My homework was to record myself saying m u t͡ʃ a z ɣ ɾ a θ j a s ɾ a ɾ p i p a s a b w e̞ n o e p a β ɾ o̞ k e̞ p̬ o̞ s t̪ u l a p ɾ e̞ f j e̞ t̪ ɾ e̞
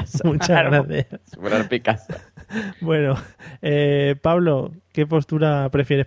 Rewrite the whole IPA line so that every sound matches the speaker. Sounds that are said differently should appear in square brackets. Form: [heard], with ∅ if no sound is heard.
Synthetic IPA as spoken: m u t͡ʃ a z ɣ ɾ a θ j a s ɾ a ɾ p i [k] a s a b w e̞ n o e p a β [l] o̞ k e̞ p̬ o̞ s t̪ u [ɾ] a p ɾ e̞ f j e̞ [∅] ɾ e̞